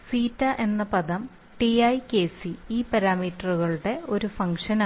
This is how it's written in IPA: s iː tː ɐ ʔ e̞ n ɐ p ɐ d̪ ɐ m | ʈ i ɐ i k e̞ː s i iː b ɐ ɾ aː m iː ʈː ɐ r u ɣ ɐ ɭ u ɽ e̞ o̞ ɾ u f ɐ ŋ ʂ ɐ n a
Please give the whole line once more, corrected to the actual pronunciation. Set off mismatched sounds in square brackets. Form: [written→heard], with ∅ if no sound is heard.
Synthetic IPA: s iː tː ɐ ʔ e̞ [n→nː] ɐ p ɐ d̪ ɐ m | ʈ i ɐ [i→j] k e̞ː s i iː [b→p] ɐ ɾ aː m iː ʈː ɐ r u ɣ ɐ ɭ u ɽ e̞ o̞ ɾ u f ɐ ŋ ʂ ɐ n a

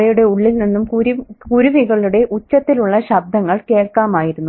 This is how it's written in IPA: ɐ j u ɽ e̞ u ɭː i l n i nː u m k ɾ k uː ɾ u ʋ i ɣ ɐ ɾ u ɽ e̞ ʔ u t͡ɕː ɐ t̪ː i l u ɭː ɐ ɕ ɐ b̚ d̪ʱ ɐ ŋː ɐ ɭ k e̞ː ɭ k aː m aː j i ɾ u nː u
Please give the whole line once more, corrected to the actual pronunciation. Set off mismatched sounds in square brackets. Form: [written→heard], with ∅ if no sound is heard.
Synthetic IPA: ɐ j u ɽ e̞ u ɭː i l n i nː u m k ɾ k [uː→u] ɾ u ʋ i ɣ ɐ [ɾ→ɭ] u ɽ e̞ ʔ u t͡ɕː ɐ t̪ː i l u ɭː ɐ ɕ ɐ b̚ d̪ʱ ɐ ŋː ɐ ɭ k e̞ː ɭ k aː m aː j i ɾ u nː u

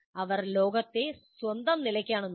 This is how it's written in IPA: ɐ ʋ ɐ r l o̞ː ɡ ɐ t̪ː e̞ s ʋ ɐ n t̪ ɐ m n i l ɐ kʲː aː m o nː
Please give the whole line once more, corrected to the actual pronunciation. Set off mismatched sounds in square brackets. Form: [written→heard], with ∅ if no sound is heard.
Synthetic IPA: ɐ ʋ ɐ r l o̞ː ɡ ɐ t̪ː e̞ s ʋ ɐ n [t̪→d̪] ɐ m n i l ɐ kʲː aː [m→ɳ] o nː

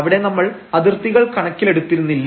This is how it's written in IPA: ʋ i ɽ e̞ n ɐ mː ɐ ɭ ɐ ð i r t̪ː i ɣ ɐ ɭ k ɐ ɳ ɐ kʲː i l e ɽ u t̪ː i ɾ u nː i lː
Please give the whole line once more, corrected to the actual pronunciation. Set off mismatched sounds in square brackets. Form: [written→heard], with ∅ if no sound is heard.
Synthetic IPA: ʋ i ɽ e̞ n ɐ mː ɐ ɭ ɐ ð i r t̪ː i ɣ ɐ ɭ k ɐ ɳ ɐ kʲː i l e ɽ u t̪ː i ɾ u nː i lː

